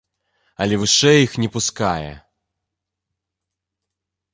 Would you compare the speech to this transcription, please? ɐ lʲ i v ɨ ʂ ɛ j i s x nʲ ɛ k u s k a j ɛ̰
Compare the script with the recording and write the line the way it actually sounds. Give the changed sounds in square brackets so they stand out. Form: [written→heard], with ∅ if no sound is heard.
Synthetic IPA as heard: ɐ lʲ [i→ɛ] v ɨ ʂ ɛ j i [s→∅] x nʲ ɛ [k→p] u s k a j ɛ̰